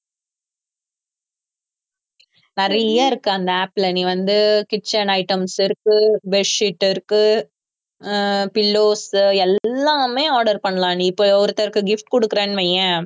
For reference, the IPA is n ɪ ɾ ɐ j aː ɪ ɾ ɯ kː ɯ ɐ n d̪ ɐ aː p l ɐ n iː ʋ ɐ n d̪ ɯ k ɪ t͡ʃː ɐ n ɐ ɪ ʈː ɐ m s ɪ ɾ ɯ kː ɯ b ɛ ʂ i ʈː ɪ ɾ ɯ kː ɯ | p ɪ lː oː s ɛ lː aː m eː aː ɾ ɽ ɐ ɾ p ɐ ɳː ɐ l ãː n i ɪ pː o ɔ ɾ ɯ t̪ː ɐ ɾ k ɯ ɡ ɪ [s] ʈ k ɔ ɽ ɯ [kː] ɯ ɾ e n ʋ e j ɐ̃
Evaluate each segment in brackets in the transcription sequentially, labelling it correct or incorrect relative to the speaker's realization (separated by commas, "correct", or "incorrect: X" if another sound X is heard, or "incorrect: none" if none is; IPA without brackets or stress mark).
incorrect: f, correct